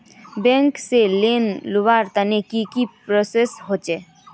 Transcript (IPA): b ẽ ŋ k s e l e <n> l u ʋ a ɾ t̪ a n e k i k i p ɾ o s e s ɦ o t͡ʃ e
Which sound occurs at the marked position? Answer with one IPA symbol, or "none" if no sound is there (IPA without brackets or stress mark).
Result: n